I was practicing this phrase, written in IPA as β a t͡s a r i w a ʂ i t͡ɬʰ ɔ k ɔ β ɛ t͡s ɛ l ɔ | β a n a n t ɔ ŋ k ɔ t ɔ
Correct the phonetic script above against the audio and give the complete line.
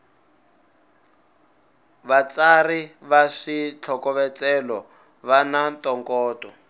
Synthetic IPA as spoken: β a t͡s a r i β a ʂ i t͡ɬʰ ɔ k ɔ β ɛ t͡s ɛ l ɔ | β a n a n t ɔ ŋ k ɔː t ɔ